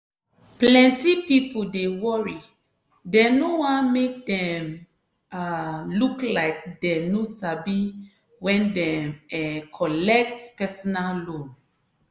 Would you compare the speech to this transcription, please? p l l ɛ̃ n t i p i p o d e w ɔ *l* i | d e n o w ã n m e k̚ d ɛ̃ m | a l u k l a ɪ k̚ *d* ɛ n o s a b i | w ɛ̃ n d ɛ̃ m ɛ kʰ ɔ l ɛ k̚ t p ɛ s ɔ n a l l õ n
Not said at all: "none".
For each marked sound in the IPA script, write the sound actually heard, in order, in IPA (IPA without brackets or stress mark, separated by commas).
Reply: ɹ, d